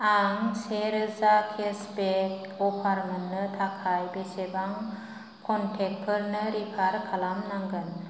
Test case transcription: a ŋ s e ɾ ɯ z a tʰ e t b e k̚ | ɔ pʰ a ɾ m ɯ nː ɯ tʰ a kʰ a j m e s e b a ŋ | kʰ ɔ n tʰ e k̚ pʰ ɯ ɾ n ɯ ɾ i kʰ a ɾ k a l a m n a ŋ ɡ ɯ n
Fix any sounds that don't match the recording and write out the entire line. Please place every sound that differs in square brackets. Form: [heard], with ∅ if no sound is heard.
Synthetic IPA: a ŋ s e ɾ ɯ z a [kʰ] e [s] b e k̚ | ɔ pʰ a ɾ m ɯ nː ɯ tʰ a kʰ a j [b] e s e b a ŋ | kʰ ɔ n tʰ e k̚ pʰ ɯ ɾ n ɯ ɾ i [pʰ] a ɾ [kʰ] a l a m n a ŋ ɡ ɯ n